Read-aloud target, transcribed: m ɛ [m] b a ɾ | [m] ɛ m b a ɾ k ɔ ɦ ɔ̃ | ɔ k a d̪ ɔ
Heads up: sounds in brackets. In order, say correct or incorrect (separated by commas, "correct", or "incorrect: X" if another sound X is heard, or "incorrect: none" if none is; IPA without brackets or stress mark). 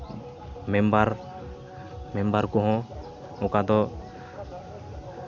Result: correct, correct